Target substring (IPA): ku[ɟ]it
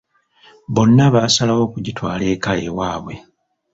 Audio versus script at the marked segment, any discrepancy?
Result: no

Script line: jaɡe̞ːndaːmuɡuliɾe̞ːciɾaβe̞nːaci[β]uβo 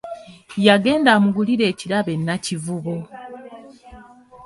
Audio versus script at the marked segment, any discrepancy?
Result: yes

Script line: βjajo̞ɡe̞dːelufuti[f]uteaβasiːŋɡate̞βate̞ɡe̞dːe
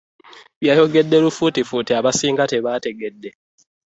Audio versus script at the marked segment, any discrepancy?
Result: no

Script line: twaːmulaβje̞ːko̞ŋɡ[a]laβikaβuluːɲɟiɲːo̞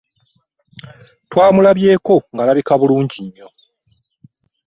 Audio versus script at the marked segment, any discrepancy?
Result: no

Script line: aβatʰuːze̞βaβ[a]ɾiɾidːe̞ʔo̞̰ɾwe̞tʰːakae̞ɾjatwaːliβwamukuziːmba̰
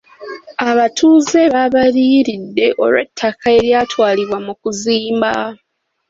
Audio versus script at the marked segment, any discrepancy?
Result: no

